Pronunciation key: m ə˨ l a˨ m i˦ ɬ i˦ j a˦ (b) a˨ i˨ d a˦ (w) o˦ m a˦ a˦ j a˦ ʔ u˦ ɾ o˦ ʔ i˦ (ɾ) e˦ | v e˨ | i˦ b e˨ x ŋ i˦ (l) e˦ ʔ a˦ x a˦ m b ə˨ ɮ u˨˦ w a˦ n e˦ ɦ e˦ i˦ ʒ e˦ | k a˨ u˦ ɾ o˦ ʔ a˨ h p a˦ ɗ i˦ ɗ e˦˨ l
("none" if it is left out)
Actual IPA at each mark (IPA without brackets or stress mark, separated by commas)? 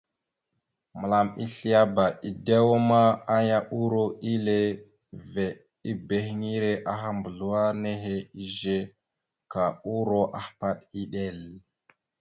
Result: b, w, l, ɾ